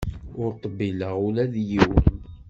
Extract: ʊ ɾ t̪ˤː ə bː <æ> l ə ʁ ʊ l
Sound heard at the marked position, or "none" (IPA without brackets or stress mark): i